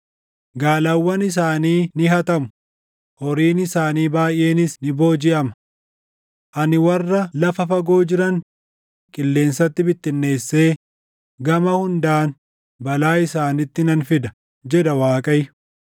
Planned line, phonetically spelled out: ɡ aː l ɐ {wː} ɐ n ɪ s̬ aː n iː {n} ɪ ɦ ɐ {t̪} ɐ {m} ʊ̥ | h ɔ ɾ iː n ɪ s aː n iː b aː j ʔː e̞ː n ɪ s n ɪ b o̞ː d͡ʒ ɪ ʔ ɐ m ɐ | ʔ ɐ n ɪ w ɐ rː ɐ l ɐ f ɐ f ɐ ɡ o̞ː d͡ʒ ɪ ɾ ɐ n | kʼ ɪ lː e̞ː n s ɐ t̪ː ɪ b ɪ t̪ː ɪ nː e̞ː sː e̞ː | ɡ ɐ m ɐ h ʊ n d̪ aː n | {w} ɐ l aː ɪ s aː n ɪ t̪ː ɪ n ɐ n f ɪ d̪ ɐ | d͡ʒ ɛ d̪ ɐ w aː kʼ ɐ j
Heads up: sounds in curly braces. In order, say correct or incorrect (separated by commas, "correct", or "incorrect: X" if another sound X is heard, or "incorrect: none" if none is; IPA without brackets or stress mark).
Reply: correct, correct, correct, correct, incorrect: b